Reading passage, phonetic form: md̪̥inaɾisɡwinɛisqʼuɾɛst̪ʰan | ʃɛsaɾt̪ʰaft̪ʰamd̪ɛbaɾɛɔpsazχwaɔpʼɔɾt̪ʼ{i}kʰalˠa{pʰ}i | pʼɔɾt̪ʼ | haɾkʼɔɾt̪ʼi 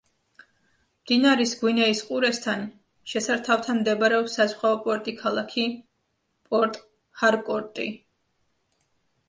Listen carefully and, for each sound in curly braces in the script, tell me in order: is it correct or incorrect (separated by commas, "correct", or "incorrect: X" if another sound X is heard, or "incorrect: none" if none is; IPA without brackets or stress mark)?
correct, incorrect: kʰ